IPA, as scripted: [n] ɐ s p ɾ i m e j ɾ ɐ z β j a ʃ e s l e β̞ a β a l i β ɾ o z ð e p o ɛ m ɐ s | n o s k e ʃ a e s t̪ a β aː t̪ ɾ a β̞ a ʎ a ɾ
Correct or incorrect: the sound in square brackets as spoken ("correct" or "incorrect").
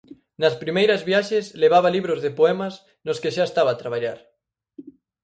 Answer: correct